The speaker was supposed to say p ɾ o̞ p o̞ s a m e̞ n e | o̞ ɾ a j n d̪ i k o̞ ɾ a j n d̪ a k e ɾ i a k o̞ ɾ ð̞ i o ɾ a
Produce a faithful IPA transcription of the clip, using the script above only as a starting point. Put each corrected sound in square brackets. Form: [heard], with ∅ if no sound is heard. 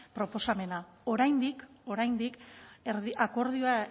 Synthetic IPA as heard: p ɾ o̞ p o̞ s a m e̞ n [a] | o̞ ɾ a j n d̪ i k o̞ ɾ a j n d̪ [i] k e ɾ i a k o̞ ɾ ð̞ i o [∅] a

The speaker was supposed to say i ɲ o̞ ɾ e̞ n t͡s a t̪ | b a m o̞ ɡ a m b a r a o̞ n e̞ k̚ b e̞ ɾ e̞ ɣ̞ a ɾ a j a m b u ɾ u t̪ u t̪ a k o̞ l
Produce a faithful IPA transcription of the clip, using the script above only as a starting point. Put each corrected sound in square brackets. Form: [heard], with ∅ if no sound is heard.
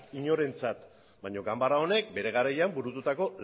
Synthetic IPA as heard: i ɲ o̞ ɾ e̞ n t͡s a t̪ | b a [ɲ] o̞ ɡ a m b a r a o̞ n e̞ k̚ b e̞ ɾ e̞ ɣ̞ a ɾ a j a m b u ɾ u t̪ u t̪ a k o̞ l

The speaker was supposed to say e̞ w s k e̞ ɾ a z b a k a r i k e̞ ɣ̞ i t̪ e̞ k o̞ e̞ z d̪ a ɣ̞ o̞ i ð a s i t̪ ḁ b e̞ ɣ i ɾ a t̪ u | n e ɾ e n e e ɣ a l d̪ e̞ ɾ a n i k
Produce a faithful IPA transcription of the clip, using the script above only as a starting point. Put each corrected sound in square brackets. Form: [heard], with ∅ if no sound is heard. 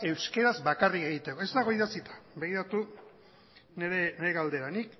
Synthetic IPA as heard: e̞ w s k e̞ ɾ a z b a k a r i k e̞ ɣ̞ i t̪ e̞ k o̞ e̞ z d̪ a ɣ̞ o̞ i ð a s i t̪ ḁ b e̞ ɣ i ɾ a t̪ u | n e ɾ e n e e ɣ a l d̪ e̞ ɾ a n i k

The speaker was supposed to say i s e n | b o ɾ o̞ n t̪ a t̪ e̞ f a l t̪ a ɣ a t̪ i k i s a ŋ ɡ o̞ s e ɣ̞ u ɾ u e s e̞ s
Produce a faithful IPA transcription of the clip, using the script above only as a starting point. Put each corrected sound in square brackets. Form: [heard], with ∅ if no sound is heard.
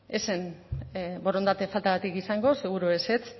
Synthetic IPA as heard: [e] s e n | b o ɾ o̞ n [d̪] a t̪ e̞ f a l t̪ a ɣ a t̪ i k i s a ŋ ɡ o̞ s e ɣ̞ u ɾ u e s e̞ [t͡s]

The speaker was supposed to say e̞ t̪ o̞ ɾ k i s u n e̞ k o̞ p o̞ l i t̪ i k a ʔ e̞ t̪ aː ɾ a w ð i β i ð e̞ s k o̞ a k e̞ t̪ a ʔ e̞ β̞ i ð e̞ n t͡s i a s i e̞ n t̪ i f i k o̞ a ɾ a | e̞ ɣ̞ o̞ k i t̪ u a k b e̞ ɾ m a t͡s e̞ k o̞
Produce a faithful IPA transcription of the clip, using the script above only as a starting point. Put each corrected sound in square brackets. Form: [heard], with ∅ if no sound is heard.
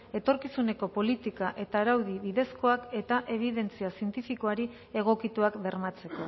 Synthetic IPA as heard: e̞ t̪ o̞ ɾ k i s u n e̞ k o̞ p o̞ l i t̪ i k a ʔ e̞ t̪ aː ɾ a w ð i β i ð e̞ s k o̞ a k e̞ t̪ a ʔ e̞ β̞ i ð e̞ n t͡s i a s i e̞ n t̪ i f i k o̞ a ɾ [i] | e̞ ɣ̞ o̞ k i t̪ u a k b e̞ ɾ m a t͡s e̞ k o̞

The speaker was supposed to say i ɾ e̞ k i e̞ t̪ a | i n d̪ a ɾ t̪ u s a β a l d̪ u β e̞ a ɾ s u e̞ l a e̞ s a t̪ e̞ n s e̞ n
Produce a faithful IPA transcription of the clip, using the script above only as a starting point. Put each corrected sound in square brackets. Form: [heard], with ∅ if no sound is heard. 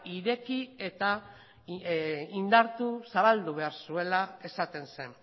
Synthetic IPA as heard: i ɾ e̞ k i e̞ t̪ a | i n d̪ a ɾ t̪ u s a β a l d̪ u β e̞ a ɾ s u e̞ l a e̞ s a t̪ e̞ n s e̞ n

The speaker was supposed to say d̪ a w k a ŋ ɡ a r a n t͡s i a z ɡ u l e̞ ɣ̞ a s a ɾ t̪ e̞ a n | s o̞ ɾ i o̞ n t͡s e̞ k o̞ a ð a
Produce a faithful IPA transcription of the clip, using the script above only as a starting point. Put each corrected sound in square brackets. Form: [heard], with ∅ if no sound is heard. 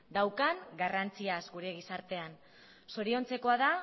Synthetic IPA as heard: d̪ a w k a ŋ ɡ a r a n t͡s i a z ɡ u [ɾ] e̞ ɣ̞ [i] s a ɾ t̪ e̞ a n | s o̞ ɾ i o̞ n t͡s e̞ k o̞ a ð a

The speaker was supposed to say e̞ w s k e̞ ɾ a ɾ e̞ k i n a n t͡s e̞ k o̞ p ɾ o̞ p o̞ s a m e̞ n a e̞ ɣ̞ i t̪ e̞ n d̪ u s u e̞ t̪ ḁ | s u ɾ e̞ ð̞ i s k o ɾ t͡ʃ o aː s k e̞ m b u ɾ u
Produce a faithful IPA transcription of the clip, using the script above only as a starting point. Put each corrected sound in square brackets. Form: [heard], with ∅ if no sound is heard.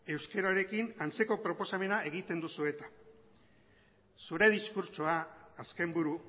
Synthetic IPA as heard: e̞ w s k e̞ ɾ a ɾ e̞ k i n a n t͡s e̞ k o̞ p ɾ o̞ p o̞ s a m e̞ n a e̞ ɣ̞ i t̪ e̞ n d̪ u s u e̞ t̪ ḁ | s u ɾ e̞ ð̞ i s k [u] ɾ t͡ʃ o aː s k e̞ m b u ɾ u

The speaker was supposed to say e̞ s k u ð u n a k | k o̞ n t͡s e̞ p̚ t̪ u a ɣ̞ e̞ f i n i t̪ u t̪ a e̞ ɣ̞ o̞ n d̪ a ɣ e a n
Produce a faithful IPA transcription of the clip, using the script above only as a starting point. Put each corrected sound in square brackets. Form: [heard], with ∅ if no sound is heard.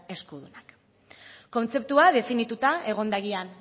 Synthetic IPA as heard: e̞ s k u ð u n a k | k o̞ n t͡s e̞ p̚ t̪ u a [ð̞] e̞ f i n i t̪ u t̪ a e̞ ɣ̞ o̞ n d̪ a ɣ [i] a n

